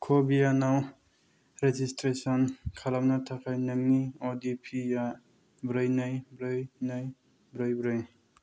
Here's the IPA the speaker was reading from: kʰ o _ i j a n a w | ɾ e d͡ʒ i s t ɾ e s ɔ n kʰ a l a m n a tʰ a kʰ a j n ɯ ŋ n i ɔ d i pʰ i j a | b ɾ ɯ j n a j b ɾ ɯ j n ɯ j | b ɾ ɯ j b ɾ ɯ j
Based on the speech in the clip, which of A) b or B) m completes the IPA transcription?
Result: A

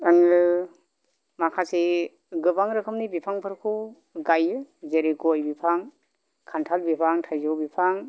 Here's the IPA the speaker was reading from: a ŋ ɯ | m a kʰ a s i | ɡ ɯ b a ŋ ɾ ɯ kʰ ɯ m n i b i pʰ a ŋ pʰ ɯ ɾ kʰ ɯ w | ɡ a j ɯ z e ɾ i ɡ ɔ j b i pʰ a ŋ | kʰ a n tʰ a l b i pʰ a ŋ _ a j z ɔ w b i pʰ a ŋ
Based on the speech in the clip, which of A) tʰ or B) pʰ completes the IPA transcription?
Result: A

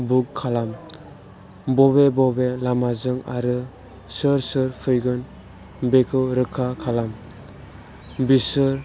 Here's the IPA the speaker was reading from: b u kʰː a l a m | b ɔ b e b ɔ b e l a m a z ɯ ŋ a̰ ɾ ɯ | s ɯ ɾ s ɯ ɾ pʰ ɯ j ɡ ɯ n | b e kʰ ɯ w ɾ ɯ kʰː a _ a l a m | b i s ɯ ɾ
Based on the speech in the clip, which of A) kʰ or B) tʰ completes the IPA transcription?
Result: A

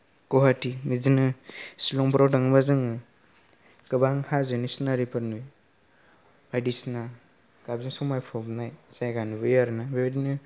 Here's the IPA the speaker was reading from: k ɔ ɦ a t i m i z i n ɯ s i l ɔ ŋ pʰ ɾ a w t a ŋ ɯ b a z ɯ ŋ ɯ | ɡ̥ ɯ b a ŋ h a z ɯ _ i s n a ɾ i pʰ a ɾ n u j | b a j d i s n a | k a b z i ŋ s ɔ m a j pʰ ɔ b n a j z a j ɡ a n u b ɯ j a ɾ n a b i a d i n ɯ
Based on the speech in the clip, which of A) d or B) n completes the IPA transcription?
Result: B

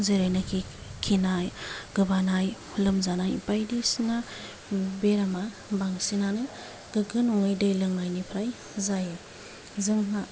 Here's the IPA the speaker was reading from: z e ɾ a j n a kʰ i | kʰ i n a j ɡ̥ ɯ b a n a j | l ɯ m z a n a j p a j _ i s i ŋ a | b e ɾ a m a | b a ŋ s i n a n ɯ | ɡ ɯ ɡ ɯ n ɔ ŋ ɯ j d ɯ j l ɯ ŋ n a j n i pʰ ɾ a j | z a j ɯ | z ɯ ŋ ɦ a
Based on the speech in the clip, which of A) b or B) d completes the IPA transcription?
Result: B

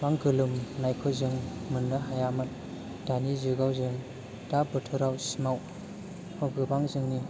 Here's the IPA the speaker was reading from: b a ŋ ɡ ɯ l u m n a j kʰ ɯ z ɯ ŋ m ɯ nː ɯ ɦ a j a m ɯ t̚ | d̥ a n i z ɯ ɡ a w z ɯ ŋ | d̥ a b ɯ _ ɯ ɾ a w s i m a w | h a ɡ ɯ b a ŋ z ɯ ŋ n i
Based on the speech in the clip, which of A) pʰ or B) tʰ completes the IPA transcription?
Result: B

